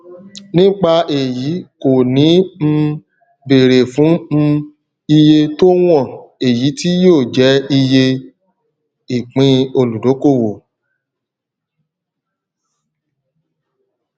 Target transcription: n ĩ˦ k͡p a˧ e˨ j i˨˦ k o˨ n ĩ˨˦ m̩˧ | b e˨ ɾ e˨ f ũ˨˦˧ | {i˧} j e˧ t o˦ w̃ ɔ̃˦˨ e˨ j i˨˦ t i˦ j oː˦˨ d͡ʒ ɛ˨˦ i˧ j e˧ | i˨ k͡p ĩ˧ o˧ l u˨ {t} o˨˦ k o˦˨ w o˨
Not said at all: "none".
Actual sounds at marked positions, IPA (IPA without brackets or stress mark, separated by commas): i˧, d